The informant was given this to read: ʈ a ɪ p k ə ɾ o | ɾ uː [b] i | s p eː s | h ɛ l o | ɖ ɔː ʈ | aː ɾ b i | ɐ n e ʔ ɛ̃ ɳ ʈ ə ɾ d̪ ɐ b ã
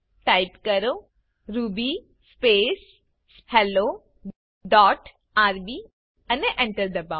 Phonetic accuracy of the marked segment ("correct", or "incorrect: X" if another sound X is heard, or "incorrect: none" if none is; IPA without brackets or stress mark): correct